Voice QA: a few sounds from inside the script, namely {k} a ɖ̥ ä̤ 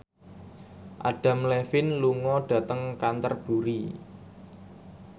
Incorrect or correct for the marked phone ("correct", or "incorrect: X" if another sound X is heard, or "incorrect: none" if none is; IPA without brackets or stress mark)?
incorrect: ʔ